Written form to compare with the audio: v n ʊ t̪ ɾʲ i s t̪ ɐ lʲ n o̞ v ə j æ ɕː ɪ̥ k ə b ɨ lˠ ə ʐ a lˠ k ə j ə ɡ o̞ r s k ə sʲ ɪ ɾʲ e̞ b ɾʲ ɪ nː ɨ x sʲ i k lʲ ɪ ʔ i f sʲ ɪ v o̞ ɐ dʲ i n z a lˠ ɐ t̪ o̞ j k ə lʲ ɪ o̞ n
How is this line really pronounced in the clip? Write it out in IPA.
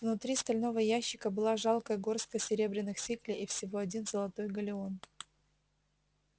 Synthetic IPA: v n ʊ t̪ ɾʲ i s t̪ ɐ lʲ n o̞ v ə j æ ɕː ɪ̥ k ə b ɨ lˠ a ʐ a lˠ k ə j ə ɡ o̞ r s k ə sʲ ɪ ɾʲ e̞ b ɾʲ ɪ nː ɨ x sʲ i k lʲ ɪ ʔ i f sʲ ɪ v o̞ ɐ dʲ i n z ə lˠ ɐ t̪ o̞ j ɡ ə lʲ ɪ o̞ n